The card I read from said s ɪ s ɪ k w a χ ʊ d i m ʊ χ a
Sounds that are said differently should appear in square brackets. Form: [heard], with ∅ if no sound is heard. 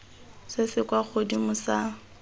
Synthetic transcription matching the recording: s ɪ s ɪ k w a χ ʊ d i m ʊ [s] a

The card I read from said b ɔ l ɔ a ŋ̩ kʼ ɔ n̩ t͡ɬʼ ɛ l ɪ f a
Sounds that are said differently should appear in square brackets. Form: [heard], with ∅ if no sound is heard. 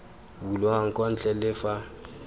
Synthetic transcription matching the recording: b [u] l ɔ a ŋ̩ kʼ ɔ n̩ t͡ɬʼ ɛ l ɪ f a

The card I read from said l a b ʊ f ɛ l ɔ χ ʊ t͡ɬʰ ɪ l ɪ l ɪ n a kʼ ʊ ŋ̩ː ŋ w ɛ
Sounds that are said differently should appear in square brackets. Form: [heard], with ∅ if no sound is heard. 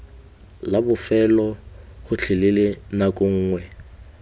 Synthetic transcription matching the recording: l a b ʊ f ɛ l ɔ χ ʊ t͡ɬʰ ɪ l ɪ l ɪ n a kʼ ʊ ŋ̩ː ŋ w ɛ

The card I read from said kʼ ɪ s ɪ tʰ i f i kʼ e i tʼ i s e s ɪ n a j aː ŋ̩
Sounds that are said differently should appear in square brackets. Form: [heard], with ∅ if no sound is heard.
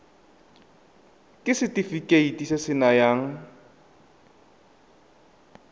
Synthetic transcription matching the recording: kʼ ɪ s ɪ [t] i f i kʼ e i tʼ i s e s ɪ n a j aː ŋ̩

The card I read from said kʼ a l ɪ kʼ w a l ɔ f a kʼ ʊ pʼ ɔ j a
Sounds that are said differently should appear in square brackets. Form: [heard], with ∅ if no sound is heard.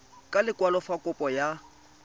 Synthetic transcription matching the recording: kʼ a l ɪ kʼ w a l ɔ f a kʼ ʊ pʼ ɔ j a

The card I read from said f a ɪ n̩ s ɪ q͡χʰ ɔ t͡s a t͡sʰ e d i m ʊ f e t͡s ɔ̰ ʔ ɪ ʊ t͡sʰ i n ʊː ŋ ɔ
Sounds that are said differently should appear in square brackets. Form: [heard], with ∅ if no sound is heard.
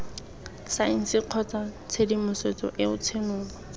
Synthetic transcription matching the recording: [s] a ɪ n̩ s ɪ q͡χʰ ɔ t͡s a t͡sʰ e d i m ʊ [s] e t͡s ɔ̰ ʔ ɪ ʊ t͡sʰ [e] n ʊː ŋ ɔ

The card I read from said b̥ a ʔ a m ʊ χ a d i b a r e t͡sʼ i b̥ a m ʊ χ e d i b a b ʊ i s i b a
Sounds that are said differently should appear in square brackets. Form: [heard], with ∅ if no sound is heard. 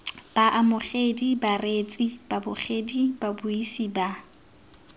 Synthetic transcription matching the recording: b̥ a ʔ a m ʊ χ [e] d i b a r e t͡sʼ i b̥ a [b] ʊ χ e d i b a b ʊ i s i b a

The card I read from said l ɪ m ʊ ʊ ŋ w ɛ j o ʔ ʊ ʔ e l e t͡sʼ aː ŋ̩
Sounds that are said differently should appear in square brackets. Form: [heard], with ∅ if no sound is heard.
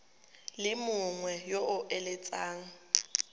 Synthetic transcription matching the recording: l ɪ m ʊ ʊ ŋ w ɛ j o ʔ ʊ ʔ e l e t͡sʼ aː ŋ̩

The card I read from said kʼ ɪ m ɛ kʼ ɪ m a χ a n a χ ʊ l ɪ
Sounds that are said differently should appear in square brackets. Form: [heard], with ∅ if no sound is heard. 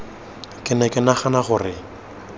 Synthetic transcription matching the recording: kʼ ɪ [n] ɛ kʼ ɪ [n] a χ a n a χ ʊ [r] ɪ

